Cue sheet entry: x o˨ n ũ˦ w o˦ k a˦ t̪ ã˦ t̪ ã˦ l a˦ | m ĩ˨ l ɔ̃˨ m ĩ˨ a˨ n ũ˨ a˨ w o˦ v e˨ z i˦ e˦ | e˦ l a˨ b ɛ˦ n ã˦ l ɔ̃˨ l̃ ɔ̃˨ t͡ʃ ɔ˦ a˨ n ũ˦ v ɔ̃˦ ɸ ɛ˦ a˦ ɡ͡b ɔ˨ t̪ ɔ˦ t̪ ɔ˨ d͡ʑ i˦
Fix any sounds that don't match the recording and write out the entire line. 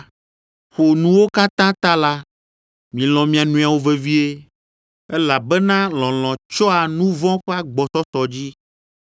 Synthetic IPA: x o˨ n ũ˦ w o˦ k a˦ t̪ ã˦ t̪ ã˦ l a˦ | m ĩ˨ l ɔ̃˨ m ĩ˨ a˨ n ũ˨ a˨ w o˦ v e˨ v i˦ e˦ | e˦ l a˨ b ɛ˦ n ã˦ l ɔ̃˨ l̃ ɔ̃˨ t͡ʃ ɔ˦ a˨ n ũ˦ v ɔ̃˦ ɸ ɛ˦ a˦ ɡ͡b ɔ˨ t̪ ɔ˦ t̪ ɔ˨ d͡ʑ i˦